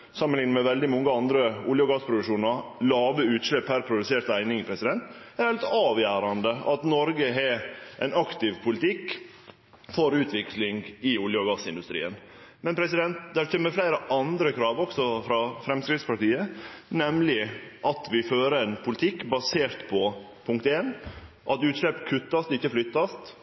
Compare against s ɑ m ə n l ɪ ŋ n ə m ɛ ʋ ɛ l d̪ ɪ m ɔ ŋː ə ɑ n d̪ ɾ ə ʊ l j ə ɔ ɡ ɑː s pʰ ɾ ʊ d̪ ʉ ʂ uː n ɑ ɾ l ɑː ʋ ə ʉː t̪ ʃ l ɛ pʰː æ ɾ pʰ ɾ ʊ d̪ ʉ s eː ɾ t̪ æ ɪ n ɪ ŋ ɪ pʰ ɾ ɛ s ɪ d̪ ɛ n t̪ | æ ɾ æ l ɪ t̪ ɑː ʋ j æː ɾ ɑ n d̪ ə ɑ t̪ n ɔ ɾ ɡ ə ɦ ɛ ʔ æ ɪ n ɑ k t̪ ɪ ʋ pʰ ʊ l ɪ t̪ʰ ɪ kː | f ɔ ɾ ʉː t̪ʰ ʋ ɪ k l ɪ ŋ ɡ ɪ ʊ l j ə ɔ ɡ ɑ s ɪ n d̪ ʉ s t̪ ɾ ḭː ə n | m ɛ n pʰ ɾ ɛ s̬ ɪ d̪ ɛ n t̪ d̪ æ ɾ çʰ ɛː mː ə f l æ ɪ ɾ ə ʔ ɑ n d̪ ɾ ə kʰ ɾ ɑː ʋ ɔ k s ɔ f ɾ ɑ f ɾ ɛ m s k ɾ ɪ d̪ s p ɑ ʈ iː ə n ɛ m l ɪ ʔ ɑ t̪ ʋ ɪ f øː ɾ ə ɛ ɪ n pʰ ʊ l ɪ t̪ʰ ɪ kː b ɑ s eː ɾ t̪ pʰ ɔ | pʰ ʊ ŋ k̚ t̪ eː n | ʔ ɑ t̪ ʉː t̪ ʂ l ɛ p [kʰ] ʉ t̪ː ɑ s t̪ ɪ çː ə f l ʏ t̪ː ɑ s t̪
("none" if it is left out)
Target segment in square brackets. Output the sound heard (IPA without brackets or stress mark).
kʰ